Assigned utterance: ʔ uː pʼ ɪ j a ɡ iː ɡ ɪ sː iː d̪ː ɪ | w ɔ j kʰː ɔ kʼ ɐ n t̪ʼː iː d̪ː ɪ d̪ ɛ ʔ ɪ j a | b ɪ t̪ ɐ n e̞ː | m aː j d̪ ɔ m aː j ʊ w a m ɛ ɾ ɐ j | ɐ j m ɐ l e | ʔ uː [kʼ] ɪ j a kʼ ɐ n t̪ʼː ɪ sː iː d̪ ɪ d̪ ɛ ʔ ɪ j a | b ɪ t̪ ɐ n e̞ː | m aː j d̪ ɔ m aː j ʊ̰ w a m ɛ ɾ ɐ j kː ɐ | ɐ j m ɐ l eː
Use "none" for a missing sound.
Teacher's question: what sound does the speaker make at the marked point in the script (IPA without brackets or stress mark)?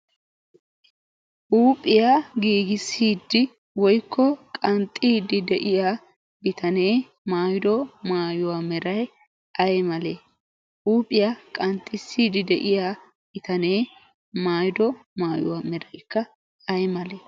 pʼ